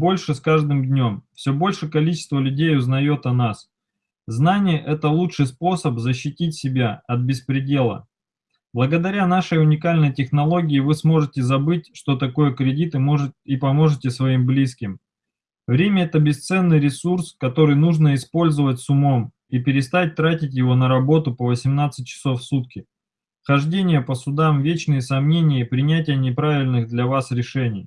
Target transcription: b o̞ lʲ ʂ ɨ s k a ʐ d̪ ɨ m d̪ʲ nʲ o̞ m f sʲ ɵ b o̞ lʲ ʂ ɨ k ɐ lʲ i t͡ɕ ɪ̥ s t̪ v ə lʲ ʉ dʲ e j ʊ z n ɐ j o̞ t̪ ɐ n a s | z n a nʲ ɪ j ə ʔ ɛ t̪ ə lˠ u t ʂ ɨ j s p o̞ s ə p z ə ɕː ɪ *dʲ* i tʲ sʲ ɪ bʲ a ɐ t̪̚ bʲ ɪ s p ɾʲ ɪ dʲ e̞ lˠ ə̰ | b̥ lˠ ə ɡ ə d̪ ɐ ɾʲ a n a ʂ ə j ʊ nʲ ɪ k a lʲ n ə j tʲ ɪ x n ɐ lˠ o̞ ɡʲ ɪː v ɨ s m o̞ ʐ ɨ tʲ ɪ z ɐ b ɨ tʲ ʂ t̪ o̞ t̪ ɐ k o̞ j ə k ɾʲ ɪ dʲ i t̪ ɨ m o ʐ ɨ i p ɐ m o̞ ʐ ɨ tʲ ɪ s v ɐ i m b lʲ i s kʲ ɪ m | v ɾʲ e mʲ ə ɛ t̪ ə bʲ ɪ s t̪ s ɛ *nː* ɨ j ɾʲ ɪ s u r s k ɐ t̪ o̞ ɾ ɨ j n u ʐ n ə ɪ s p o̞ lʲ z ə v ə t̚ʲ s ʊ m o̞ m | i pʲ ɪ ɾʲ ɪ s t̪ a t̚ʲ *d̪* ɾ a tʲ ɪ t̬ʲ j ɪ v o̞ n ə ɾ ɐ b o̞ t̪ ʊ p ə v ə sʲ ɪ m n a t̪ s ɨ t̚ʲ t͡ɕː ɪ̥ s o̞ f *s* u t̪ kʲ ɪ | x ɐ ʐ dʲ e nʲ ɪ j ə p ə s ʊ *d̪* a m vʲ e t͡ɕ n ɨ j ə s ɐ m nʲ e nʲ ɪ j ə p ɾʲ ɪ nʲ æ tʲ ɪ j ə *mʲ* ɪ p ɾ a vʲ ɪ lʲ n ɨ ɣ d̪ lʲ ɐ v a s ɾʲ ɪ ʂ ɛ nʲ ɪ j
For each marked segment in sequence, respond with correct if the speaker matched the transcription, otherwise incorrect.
incorrect: tʲ, correct, incorrect: t̪, correct, correct, incorrect: nʲ

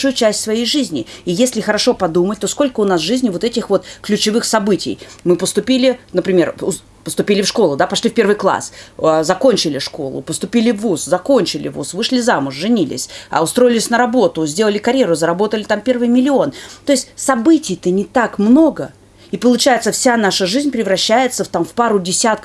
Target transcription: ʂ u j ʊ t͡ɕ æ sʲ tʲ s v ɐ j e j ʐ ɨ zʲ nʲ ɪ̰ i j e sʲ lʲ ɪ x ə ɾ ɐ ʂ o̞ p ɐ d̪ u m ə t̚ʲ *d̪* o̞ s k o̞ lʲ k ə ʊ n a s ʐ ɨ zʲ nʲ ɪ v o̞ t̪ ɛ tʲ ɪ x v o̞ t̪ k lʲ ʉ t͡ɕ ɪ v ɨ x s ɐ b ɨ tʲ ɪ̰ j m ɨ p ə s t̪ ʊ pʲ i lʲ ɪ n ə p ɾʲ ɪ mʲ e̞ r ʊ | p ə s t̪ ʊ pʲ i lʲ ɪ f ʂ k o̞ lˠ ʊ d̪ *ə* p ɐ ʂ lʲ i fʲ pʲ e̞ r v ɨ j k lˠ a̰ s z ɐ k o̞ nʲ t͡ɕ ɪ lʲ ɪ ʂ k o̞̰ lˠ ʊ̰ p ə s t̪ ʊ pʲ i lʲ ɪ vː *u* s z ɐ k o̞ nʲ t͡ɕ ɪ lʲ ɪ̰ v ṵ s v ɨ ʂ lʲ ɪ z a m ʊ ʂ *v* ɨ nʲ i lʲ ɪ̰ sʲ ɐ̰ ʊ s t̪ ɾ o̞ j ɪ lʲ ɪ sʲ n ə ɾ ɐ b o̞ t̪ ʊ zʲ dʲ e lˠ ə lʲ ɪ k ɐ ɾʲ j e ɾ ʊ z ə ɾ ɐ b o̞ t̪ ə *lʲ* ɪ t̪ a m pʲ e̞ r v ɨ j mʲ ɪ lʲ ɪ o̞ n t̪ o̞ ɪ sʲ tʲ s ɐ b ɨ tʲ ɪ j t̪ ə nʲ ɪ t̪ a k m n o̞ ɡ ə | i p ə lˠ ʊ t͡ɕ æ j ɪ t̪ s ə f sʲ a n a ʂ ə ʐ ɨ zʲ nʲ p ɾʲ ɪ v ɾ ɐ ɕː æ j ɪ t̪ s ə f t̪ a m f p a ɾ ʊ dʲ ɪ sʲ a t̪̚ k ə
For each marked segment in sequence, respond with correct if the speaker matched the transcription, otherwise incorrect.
incorrect: t̪, incorrect: a, correct, incorrect: ʐ, correct

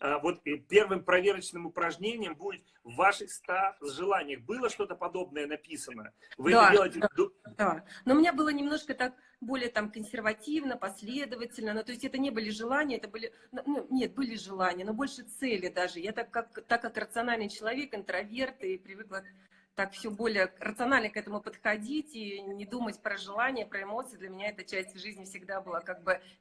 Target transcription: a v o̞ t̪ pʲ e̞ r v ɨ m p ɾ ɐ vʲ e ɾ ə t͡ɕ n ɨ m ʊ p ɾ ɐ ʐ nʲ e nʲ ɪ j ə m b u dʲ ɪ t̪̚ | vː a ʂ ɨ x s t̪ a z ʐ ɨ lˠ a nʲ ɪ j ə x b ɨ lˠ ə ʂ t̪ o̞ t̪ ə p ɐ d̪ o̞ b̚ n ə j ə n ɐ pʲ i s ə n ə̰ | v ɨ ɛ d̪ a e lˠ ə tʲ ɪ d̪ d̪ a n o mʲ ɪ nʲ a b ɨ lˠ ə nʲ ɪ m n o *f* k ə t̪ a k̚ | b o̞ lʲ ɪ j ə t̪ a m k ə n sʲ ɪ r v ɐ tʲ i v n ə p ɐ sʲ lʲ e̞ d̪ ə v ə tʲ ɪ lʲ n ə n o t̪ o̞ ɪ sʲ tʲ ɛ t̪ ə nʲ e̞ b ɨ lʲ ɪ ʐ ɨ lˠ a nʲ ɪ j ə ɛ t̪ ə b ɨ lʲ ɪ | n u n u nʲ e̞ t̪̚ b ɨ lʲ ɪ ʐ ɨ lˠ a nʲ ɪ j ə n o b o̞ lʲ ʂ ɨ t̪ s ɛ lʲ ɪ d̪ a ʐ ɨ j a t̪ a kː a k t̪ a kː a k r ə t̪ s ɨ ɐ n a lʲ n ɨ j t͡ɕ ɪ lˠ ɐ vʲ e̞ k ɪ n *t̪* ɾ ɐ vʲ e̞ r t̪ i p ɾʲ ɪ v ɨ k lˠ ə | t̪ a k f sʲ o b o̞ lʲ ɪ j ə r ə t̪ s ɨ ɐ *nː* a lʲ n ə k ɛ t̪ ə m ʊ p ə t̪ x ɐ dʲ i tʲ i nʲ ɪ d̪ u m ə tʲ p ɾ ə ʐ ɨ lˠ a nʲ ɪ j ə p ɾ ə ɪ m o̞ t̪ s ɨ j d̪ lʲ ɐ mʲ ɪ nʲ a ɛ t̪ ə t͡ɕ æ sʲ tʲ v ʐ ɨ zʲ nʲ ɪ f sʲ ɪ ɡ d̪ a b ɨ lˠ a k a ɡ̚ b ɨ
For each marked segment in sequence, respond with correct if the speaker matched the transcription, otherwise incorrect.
incorrect: ʂ, correct, incorrect: n

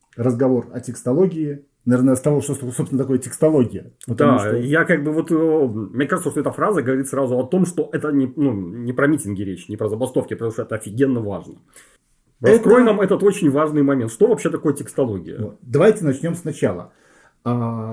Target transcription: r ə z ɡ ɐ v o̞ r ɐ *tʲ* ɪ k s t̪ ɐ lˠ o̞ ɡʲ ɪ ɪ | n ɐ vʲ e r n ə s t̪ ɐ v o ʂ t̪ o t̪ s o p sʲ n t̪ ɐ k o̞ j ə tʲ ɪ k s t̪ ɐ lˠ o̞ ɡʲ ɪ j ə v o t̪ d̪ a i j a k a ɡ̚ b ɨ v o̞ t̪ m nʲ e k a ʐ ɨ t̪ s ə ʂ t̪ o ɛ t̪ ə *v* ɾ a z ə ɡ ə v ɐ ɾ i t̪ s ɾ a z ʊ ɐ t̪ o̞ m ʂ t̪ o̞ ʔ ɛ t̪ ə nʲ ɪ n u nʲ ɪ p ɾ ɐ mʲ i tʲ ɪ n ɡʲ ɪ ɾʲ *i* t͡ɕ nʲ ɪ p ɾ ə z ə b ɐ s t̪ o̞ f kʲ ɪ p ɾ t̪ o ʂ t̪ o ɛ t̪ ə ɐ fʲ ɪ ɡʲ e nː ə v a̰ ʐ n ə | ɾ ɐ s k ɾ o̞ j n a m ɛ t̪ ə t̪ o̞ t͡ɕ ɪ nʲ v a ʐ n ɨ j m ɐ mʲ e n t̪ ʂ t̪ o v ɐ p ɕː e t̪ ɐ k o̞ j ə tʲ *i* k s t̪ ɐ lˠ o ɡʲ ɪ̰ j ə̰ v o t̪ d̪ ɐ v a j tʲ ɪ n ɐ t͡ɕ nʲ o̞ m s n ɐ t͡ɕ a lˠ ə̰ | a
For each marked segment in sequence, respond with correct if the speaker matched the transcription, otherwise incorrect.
correct, incorrect: f, incorrect: e, incorrect: ɪ

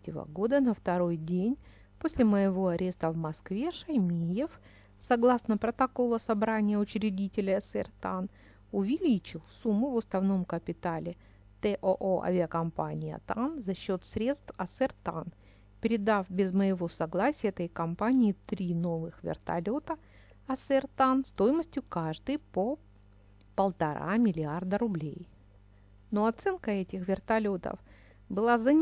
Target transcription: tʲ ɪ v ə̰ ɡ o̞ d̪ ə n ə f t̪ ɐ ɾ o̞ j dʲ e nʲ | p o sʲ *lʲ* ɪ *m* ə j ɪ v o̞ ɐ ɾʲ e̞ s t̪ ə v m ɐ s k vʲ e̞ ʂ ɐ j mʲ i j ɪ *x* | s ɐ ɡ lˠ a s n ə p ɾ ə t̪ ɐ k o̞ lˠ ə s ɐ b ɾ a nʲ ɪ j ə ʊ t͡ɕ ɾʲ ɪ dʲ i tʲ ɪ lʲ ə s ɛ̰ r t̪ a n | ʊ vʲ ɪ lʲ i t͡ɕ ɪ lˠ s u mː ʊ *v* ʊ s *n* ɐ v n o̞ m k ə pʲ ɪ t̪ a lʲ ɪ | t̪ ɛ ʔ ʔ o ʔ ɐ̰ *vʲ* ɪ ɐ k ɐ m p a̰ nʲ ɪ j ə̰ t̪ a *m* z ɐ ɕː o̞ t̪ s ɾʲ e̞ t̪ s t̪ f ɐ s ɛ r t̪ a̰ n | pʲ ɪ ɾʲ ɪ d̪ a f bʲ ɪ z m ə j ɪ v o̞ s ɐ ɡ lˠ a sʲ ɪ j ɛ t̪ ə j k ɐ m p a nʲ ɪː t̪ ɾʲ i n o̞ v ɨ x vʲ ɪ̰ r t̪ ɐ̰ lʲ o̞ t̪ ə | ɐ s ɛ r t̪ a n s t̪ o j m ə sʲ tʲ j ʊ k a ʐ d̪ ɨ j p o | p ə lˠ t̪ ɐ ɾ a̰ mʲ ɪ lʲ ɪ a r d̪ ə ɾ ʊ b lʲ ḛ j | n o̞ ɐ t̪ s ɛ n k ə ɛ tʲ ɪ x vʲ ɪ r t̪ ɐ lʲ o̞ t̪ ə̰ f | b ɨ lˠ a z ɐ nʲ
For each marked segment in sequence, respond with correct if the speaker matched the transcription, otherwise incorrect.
correct, correct, incorrect: f, correct, correct, correct, incorrect: n

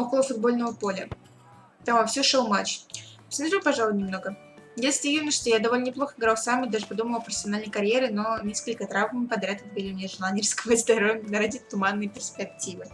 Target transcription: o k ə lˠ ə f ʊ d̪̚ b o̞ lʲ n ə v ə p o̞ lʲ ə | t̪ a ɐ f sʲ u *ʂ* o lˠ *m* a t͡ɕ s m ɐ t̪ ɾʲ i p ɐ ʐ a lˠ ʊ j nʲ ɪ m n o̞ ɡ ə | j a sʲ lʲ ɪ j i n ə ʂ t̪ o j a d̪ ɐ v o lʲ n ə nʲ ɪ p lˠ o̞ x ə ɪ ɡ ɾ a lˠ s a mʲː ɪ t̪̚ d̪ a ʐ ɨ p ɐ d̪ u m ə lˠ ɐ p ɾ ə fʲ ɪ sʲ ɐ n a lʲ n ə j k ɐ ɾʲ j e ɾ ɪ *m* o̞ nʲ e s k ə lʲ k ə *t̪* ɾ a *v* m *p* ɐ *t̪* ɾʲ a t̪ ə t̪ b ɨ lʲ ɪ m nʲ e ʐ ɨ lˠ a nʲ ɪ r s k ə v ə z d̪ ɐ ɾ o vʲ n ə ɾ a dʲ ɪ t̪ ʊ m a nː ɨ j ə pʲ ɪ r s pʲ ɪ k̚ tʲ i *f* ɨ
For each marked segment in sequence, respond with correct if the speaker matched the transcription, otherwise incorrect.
correct, correct, incorrect: n, correct, correct, correct, incorrect: d̪, incorrect: v

